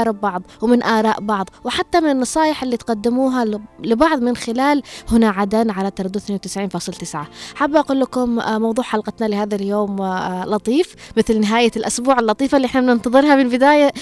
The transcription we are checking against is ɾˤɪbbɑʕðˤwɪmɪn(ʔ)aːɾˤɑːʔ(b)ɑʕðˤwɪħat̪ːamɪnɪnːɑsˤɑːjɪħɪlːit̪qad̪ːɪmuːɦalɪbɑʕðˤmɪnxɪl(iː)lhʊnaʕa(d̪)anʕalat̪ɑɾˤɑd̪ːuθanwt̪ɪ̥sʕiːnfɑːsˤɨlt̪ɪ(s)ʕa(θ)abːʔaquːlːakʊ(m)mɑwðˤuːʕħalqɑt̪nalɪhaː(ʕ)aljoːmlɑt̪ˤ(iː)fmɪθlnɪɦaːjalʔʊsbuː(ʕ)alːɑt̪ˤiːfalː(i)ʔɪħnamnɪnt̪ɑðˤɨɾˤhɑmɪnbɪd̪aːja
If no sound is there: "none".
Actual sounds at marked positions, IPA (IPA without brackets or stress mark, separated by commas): ʔ, b, aː, d̪, s, ħ, m, ð, iː, ʕ, i